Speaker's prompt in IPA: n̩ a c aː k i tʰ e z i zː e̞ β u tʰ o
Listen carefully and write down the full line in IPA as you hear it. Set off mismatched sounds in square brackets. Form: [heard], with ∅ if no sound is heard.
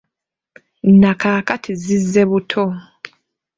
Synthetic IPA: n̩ a [k] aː k [a] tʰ [i] z i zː e̞ β u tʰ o